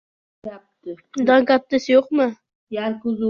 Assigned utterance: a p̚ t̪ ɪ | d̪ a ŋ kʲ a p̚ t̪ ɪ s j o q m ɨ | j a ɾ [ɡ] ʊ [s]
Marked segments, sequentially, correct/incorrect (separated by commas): incorrect, incorrect